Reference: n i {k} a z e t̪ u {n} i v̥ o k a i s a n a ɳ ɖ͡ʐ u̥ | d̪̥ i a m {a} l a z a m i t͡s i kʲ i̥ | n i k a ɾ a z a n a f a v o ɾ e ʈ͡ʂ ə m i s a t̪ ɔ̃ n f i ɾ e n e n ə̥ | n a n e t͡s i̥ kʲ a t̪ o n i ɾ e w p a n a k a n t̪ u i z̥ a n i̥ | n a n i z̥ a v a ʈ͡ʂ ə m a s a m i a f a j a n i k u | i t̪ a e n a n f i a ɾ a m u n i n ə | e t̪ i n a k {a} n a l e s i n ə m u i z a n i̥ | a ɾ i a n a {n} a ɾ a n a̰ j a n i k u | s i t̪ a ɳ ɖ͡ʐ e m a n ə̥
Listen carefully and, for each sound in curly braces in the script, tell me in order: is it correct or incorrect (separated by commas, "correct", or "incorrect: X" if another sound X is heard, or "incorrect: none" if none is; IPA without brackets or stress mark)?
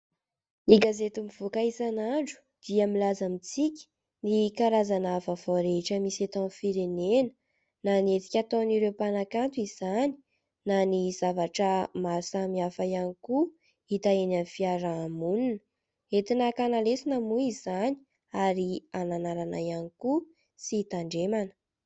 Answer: incorrect: ɡ, incorrect: m, incorrect: i, correct, correct